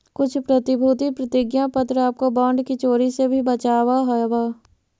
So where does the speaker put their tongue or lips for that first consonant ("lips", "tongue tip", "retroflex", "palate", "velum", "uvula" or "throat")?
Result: velum